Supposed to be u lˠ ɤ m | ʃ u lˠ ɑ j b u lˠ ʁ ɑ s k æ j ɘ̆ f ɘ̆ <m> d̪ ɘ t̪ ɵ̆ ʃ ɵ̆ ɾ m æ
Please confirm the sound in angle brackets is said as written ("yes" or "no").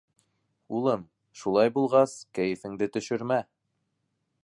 no